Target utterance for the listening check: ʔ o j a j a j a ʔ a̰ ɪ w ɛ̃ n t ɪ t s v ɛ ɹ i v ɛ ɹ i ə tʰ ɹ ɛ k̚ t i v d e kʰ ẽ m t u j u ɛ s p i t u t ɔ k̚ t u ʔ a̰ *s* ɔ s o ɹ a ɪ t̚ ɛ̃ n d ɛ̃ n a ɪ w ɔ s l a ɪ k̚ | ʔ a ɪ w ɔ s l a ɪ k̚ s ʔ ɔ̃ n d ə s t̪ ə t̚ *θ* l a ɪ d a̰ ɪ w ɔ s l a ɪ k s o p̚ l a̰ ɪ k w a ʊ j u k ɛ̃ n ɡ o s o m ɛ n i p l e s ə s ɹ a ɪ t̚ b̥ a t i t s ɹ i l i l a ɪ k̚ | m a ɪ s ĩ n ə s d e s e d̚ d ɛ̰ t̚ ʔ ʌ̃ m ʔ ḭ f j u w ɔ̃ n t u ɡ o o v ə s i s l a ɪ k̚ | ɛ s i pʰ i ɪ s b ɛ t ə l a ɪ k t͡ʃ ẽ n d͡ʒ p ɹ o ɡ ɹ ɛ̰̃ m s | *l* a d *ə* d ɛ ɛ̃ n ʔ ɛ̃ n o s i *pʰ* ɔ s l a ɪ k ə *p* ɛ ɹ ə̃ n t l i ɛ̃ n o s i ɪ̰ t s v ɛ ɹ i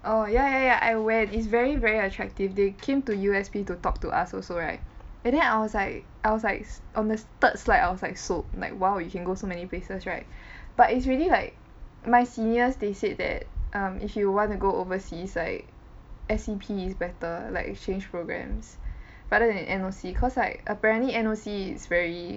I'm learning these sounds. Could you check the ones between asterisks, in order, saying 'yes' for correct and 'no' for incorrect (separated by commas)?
yes, no, no, yes, no, yes